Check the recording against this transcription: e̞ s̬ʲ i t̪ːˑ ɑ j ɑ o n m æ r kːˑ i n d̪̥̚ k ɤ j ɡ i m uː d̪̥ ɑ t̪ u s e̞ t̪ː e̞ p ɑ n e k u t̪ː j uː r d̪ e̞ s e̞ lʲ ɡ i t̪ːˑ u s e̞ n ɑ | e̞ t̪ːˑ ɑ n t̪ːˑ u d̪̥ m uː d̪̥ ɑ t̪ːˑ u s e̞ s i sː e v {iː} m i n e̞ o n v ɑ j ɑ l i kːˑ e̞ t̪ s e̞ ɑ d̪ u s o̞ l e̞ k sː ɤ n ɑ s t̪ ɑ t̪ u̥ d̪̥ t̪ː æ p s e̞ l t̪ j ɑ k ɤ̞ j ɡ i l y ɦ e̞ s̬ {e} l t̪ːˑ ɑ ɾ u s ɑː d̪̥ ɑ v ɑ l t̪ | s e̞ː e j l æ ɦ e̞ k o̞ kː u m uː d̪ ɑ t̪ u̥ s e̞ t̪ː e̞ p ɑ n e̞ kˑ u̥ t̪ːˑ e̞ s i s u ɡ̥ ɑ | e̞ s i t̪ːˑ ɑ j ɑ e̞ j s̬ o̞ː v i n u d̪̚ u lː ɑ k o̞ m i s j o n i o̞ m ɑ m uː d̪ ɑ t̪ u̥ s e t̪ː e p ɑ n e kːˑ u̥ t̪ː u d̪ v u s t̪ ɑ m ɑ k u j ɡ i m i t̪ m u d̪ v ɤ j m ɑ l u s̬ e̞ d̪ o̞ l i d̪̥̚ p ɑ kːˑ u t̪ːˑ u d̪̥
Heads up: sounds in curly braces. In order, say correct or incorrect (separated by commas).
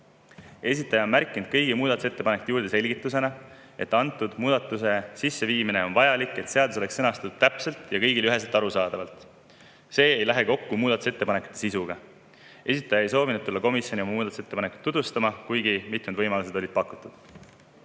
correct, correct